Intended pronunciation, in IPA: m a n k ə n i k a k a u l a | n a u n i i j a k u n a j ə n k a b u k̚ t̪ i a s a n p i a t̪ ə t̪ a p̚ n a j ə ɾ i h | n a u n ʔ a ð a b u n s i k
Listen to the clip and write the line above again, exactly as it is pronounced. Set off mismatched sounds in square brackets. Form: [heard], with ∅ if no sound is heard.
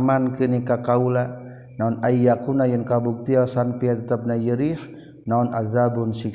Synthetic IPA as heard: m a n k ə n i k a k a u l a | n a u n [a] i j a k u n a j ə n k a b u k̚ t̪ i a s a n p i a t̪ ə t̪ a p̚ n a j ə ɾ i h | n a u n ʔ a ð a b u n s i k